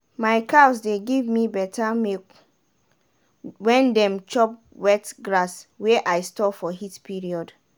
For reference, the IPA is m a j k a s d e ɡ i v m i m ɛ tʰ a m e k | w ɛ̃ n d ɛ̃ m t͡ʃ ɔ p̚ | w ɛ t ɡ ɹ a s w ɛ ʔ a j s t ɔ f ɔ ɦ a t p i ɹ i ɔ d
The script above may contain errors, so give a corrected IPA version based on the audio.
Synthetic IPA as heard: m a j k a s d e ɡ i v m i b ɛ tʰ a m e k | w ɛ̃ n d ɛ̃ m t͡ʃ ɔ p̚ | w ɛ t ɡ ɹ a s w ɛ ʔ a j s t ɔ f ɔ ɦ i t p i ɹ i ɔ d

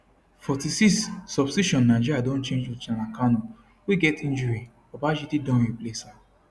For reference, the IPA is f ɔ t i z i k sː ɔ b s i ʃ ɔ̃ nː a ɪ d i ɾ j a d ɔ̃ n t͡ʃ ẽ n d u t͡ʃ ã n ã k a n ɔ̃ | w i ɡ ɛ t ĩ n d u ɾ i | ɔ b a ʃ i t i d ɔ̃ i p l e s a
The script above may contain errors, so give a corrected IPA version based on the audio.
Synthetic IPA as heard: f ɔ t i s i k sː ɔ b s i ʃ ɔ̃ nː a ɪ d͡ʒ i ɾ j a d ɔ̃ n t͡ʃ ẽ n d͡ʒ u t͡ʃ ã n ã k a n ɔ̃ | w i ɡ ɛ t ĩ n d͡ʒ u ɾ i | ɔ b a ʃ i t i d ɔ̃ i p l e s a

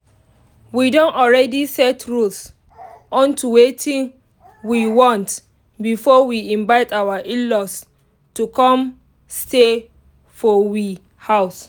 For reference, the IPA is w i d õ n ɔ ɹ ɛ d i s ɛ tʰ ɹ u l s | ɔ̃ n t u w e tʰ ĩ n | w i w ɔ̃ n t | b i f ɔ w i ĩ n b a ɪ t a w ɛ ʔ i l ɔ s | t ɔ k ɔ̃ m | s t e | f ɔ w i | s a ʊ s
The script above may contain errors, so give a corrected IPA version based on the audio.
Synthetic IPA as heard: w i d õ n ɔ ɹ ɛ d i s ɛ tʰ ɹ u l s | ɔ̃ n t u w e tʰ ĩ n | w i w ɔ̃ n t | b i f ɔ w i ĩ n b a ɪ t a w a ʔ i l ɔ s | t u k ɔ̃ m | s t e | f ɔ w i | h a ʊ s

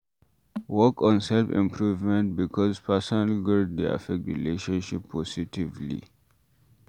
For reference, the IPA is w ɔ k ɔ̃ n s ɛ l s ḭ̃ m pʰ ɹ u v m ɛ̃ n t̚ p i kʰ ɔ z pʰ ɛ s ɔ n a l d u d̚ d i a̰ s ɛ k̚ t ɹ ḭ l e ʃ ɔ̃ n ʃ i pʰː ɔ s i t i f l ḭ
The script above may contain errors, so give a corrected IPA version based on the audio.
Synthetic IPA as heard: w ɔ k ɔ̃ n s ɛ l f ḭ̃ m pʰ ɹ u v m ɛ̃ n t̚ b i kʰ ɔ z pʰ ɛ s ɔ n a l ɡ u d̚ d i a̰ f ɛ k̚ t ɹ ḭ l e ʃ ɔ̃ n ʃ i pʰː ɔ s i t i v l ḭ

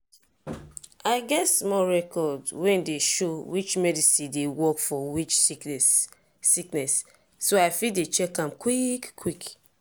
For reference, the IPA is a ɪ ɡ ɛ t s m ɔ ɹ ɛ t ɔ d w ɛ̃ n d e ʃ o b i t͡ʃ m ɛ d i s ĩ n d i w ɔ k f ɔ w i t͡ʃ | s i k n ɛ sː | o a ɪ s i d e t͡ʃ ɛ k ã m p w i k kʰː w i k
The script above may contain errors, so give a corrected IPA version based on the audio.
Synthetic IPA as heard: a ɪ ɡ ɛ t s m ɔ ɹ ɛ k ɔ d w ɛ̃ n d e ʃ o w i t͡ʃ m ɛ d i s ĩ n d e w ɔ k f ɔ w i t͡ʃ | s i k n ɛ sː | o a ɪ f i d e t͡ʃ ɛ k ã m k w i k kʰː w i k

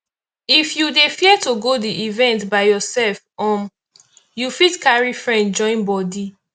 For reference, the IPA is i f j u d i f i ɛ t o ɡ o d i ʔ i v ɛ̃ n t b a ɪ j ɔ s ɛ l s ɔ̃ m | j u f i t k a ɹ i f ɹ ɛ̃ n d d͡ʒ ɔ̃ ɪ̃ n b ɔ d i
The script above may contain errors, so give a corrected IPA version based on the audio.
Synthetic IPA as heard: i f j u d e f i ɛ t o ɡ o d i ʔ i v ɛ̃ n t b a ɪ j ɔ s ɛ l f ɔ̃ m | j u f i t k a ɹ i f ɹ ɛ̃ n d d͡ʒ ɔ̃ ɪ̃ n b ɔ d i

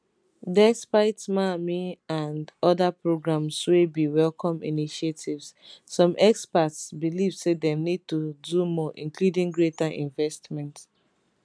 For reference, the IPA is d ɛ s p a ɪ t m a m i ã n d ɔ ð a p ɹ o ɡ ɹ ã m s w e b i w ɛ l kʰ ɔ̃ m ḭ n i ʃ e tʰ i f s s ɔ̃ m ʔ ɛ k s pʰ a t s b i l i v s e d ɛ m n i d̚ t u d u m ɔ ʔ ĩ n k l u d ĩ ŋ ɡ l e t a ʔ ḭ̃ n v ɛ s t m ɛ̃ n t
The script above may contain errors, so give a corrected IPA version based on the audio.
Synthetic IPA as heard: d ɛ s p a ɪ t m a m i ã n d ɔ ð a p ɹ o ɡ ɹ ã m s w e b i w ɛ l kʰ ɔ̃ m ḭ n i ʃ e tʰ i v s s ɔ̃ m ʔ ɛ k s p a t s b i l i v s e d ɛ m n i d̚ t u d u m ɔ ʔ ĩ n k l u d ĩ ŋ ɡ ɹ e t a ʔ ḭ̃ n v ɛ s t m ɛ̃ n t

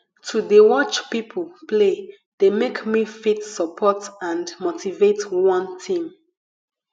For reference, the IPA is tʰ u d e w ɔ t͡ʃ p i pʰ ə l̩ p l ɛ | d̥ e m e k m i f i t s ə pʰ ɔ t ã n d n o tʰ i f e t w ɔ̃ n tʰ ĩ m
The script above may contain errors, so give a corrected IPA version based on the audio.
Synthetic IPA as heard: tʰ u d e w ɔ t͡ʃ p i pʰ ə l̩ p l e | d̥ e m e k m i f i t s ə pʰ ɔ t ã n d m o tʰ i v e t w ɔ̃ n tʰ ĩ m

